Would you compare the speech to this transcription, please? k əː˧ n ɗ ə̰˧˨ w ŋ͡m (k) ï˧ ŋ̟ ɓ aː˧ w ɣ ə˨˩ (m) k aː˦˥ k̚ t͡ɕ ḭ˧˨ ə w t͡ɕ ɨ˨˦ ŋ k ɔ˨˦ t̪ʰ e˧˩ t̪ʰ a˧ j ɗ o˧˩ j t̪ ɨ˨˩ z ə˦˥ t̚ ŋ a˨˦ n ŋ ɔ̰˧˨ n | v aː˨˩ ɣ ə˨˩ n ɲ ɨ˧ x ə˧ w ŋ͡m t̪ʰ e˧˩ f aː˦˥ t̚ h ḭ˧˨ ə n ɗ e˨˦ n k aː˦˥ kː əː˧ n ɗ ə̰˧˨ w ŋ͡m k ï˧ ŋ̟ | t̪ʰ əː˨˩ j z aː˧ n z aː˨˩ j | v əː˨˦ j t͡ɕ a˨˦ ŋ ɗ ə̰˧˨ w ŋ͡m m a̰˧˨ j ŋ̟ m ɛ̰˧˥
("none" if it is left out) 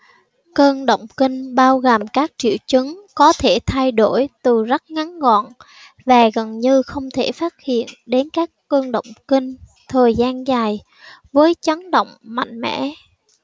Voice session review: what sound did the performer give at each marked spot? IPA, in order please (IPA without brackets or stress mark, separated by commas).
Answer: k, m